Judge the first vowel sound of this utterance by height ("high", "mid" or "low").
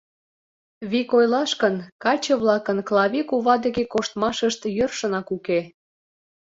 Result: high